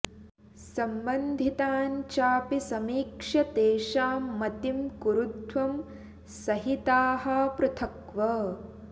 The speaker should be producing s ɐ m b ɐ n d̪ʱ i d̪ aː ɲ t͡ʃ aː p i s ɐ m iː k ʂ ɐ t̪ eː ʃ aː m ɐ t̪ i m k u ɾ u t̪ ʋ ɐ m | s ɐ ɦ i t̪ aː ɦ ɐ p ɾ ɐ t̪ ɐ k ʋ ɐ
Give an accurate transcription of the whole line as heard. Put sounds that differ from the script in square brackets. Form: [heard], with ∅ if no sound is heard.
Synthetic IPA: s ɐ m b ɐ n d̪ʱ i [t̪] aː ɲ t͡ʃ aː p i s ɐ m iː k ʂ ɐ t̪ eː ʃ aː m ɐ t̪ i m k u ɾ u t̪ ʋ ɐ m | s ɐ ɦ i t̪ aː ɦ ɐ p ɾ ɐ [t̪ʰ] ɐ k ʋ ɐ